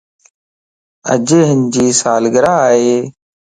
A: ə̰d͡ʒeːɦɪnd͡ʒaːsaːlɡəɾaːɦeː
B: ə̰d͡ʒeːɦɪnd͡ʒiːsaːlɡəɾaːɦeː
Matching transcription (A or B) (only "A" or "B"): B